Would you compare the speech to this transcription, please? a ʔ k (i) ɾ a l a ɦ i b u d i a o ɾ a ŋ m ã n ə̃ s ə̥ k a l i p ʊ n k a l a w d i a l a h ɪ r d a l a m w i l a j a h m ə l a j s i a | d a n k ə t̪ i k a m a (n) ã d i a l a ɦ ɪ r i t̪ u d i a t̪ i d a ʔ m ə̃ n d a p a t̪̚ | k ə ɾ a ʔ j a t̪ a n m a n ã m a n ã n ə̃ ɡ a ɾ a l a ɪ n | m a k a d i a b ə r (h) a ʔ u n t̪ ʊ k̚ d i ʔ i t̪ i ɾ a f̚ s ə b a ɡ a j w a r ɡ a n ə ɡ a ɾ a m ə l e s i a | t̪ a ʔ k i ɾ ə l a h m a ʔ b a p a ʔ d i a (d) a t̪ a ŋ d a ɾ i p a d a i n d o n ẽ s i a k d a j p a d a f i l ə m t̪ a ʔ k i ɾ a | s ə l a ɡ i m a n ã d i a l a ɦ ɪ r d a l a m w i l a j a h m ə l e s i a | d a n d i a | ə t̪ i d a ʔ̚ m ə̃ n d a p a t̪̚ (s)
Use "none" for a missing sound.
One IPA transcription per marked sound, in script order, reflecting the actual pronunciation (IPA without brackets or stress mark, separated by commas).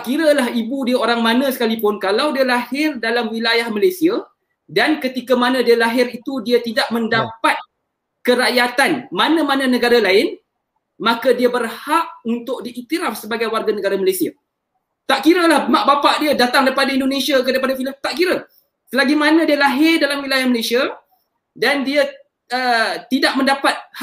i, n, h, d, h